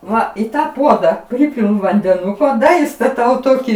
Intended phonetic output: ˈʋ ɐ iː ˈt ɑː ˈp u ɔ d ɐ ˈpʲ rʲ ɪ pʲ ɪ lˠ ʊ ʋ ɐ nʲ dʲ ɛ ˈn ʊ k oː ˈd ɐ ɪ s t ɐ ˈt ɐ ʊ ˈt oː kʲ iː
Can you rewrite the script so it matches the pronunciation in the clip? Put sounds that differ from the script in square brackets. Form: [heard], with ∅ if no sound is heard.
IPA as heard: ˈʋ ɐ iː ˈt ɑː ˈp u ɔ d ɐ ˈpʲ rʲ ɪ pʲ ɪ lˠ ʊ ʋ ɐ nʲ dʲ ɛ ˈn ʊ k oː ˈd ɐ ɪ s t ɐ ˈt ɐ ʊ ˈt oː kʲ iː

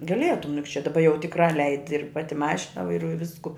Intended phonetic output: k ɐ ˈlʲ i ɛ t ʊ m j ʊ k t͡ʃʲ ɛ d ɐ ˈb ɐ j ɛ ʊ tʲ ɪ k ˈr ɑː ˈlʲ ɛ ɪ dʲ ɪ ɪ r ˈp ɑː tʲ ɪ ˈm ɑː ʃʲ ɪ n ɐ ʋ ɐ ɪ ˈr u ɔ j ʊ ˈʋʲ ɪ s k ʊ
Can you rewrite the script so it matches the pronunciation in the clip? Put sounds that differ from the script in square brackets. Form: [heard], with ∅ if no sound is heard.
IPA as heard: [ɡ] ɐ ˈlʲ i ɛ t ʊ m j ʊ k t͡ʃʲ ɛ d ɐ ˈb ɐ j ɛ ʊ tʲ ɪ k ˈr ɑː ˈlʲ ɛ ɪ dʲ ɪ ɪ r ˈp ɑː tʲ ɪ ˈm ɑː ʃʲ ɪ n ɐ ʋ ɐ ɪ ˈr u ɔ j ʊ ˈʋʲ ɪ s k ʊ

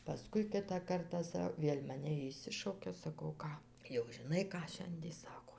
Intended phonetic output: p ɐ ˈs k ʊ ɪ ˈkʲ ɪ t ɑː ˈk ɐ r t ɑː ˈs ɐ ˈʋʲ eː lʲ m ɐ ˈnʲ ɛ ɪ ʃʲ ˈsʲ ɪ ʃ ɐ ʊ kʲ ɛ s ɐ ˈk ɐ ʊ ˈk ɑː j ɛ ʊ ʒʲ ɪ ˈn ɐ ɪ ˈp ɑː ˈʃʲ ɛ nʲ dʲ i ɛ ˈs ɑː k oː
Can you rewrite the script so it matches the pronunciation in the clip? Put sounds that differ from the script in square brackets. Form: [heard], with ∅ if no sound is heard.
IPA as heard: p ɐ ˈs k ʊ ɪ ˈkʲ ɪ t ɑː ˈk ɐ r t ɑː ˈs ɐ ˈʋʲ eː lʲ m ɐ ˈnʲ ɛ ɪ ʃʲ ˈsʲ ɪ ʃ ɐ ʊ kʲ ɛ s ɐ ˈk ɐ ʊ ˈk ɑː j ɛ ʊ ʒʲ ɪ ˈn ɐ ɪ [ˈk] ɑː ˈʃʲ ɛ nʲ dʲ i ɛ ˈs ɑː k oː

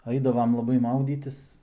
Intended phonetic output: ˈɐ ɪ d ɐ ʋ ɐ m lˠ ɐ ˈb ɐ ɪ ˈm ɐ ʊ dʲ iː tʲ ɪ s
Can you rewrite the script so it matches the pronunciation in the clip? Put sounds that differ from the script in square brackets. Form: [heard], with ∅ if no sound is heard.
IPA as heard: ˈɐ ɪ d ɐ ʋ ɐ m lˠ ɐ ˈb ɐ ɪ ˈm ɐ ʊ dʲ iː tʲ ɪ s

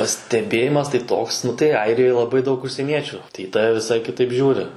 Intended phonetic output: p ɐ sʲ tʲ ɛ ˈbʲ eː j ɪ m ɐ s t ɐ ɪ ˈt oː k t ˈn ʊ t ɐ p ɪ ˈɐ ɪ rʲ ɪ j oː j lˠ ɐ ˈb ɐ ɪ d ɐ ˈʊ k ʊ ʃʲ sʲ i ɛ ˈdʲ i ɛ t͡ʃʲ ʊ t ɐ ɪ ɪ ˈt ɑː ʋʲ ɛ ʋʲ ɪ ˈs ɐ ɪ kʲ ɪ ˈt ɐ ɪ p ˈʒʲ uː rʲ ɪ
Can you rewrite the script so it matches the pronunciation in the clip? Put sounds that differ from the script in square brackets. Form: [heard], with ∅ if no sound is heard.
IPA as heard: p ɐ sʲ tʲ ɛ ˈbʲ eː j ɪ m ɐ s t ɐ ɪ ˈt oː k [s] ˈn ʊ t ɐ [∅] ɪ ˈɐ ɪ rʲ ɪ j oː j lˠ ɐ ˈb ɐ ɪ d ɐ ˈʊ k ʊ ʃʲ sʲ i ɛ [ˈnʲ] i ɛ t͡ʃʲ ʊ t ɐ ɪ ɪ ˈt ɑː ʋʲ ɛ ʋʲ ɪ ˈs ɐ ɪ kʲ ɪ ˈt ɐ ɪ p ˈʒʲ uː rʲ ɪ

